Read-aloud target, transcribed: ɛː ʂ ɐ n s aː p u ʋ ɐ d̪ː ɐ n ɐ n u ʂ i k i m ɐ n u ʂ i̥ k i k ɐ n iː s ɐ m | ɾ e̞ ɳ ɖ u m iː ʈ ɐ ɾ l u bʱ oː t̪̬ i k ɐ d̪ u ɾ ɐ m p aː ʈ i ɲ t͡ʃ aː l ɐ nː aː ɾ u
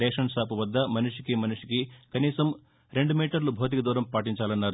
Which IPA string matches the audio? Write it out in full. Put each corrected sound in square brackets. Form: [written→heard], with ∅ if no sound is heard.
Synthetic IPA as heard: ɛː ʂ ɐ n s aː p u ʋ ɐ d̪ː ɐ [n→m] ɐ n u ʂ i k i m ɐ n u ʂ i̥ k i k ɐ n iː s ɐ m | ɾ e̞ ɳ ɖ u m iː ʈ ɐ ɾ l u bʱ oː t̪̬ i k ɐ d̪ [u→uː] ɾ ɐ m p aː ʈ i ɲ t͡ʃ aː l ɐ nː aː ɾ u